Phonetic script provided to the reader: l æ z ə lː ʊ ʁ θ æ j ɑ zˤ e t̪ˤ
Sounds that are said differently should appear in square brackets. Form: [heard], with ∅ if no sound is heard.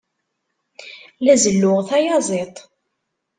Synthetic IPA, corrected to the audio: l æ z ə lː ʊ ʁ θ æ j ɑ zˤ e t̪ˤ